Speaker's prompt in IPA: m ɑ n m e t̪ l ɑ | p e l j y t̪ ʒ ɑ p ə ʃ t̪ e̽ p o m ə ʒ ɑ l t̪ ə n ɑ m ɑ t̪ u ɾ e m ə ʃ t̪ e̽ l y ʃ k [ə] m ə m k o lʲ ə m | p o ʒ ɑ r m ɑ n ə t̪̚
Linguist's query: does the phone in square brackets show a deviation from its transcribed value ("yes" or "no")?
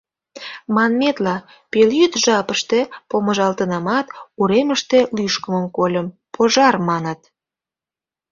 no